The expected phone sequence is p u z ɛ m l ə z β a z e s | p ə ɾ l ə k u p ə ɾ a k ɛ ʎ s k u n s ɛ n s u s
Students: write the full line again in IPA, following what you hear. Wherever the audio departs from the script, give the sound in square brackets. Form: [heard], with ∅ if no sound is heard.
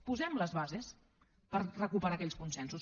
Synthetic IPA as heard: p u z ɛ m l ə z β a z e s | p ə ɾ [r] ə k u p ə ɾ a k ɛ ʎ s k u n s ɛ n s u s